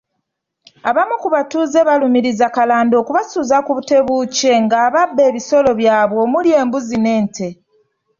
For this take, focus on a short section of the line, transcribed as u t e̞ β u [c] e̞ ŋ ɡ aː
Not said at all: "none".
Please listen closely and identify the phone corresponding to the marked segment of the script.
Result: c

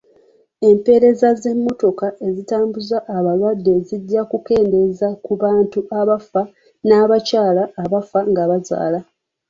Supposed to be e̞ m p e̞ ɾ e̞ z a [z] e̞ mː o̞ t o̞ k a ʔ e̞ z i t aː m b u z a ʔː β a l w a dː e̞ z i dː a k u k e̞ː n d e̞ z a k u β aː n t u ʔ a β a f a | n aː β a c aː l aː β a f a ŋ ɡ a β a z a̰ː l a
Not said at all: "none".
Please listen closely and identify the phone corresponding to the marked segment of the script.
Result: z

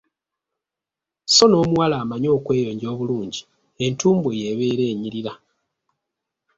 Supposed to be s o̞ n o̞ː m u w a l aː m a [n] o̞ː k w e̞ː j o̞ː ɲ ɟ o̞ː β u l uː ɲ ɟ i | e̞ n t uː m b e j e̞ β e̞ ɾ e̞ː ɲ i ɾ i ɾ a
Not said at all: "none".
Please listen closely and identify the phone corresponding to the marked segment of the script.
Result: ɲ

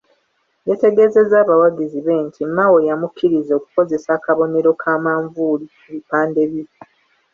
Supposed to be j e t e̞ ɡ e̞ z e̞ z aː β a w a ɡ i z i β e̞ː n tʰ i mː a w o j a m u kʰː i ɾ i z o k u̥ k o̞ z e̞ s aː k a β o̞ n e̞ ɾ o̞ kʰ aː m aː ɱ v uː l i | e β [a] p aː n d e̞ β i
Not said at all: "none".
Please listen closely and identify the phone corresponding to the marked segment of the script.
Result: i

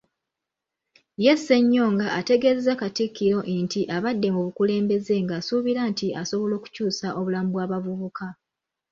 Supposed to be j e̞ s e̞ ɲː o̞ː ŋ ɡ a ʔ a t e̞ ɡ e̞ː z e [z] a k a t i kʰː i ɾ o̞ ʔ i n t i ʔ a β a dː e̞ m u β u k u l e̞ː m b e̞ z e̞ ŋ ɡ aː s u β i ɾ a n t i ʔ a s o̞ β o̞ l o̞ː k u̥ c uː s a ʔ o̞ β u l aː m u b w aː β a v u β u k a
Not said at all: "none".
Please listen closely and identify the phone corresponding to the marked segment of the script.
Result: z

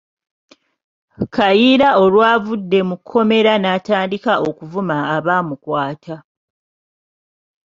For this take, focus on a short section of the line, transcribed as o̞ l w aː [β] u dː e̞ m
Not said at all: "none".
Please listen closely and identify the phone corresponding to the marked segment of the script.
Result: v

